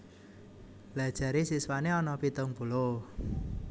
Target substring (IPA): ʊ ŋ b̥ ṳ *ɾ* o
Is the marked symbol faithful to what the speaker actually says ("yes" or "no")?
no